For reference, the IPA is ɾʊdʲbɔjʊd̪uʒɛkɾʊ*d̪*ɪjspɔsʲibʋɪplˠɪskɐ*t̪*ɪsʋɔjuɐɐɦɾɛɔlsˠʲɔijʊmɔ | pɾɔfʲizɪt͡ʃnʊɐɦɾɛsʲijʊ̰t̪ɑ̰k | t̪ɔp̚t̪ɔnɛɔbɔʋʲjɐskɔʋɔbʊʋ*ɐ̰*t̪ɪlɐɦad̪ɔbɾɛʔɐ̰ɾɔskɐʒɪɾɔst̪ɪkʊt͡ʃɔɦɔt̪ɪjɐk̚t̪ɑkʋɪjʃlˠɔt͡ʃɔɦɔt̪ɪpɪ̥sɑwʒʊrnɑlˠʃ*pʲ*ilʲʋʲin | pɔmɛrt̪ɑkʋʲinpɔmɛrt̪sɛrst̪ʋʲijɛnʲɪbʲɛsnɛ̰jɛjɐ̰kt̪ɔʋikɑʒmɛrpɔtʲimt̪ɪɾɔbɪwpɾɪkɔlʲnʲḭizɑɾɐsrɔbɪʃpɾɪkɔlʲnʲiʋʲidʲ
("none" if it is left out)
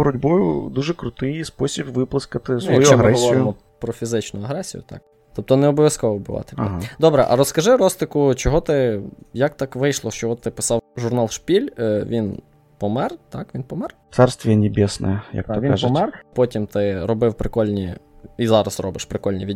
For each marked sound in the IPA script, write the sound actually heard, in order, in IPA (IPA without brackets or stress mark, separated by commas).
t̪, t̪, ɑ̰, pʲ